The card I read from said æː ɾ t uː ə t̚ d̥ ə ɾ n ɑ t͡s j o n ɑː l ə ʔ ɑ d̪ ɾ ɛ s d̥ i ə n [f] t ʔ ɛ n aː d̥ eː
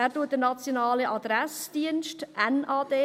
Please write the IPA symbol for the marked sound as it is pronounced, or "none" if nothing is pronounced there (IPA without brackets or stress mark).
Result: ʃ